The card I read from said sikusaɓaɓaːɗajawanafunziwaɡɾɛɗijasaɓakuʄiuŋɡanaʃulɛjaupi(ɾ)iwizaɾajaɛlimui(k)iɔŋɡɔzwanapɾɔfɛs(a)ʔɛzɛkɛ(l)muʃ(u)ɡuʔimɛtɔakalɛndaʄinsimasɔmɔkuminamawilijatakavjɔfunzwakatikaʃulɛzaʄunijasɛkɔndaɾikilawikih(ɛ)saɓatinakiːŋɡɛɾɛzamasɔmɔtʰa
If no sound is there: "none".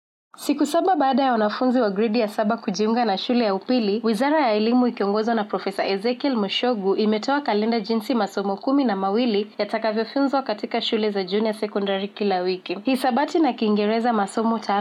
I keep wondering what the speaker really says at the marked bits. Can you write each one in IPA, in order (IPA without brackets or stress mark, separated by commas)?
l, k, a, l, ɔ, i